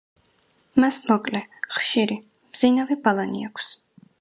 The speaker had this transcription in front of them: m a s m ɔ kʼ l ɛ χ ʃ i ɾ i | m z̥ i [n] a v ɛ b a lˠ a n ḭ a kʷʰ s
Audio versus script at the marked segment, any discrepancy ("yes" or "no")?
no